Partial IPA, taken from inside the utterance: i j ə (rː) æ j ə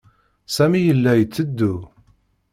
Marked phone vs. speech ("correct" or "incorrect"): incorrect